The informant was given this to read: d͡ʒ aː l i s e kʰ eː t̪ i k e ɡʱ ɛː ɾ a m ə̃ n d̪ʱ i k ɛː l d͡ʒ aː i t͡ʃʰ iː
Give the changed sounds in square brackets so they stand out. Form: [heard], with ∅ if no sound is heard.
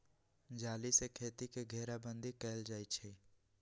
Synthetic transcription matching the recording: d͡ʒ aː l i s e kʰ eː t̪ i k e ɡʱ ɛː ɾ a [b] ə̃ n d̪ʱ i k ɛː l d͡ʒ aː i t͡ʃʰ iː